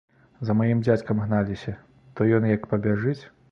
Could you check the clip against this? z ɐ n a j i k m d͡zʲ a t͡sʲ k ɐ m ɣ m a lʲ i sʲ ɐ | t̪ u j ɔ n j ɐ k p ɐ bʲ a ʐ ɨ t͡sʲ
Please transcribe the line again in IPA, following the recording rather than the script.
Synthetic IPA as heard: z ɐ m a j i m d͡zʲ a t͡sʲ k ɐ m ɣ n a lʲ i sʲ ɐ | t̪ ɔ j ɔ n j ɐ k p ɐ bʲ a ʐ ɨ t͡sʲ